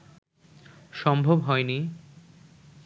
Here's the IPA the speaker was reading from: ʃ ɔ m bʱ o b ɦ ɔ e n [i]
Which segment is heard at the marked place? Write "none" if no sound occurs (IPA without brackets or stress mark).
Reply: i